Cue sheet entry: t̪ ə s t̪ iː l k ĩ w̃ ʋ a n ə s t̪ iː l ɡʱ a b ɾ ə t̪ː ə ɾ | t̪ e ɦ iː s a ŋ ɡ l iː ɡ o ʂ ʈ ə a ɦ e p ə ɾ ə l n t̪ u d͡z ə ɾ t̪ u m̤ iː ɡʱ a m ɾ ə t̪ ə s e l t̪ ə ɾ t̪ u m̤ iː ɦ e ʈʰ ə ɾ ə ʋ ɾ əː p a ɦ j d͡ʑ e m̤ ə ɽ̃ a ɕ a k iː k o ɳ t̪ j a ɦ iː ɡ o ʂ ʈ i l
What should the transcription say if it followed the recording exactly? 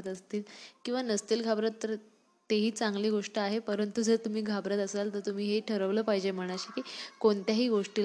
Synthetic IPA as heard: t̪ ə s t̪ iː l k ĩ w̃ ʋ a n ə s t̪ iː l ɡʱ a b ɾ ə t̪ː ə ɾ | t̪ e ɦ iː t͡s a ŋ ɡ l iː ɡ o ʂ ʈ ə a ɦ e p ə ɾ ə n t̪ u d͡z ə ɾ t̪ u m̤ iː ɡʱ a b ɾ ə t̪ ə s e l t̪ ə ɾ t̪ u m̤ iː ɦ e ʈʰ ə ɾ ə ʋ l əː p a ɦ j d͡ʑ e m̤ ə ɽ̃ a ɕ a k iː k o ɳ t̪ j a ɦ iː ɡ o ʂ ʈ i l